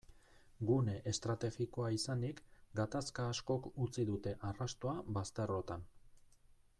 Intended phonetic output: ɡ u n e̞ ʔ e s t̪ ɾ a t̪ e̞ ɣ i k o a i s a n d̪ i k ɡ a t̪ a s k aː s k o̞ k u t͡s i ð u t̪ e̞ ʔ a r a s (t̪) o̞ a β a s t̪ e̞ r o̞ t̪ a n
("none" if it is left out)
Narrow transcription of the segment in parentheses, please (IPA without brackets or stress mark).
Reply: t̪